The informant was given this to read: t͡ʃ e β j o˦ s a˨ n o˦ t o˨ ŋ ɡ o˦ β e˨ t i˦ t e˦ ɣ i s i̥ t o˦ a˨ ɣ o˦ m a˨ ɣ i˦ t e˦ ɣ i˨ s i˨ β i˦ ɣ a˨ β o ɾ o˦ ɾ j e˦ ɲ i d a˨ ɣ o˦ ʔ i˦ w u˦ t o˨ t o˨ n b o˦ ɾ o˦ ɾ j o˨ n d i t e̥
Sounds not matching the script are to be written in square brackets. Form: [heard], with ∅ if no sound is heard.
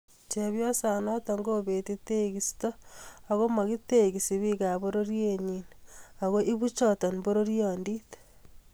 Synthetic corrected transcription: t͡ʃ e β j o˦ s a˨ n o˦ t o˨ ŋ ɡ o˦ β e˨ t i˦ t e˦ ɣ i s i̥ t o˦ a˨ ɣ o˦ m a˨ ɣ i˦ t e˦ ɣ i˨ s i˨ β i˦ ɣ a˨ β o ɾ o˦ ɾ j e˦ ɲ i [n] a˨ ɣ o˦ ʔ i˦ [β] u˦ [t͡ʃ] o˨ t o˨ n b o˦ ɾ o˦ ɾ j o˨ n d i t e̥